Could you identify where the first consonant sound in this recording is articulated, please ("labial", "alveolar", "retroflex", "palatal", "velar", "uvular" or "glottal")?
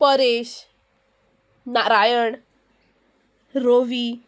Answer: labial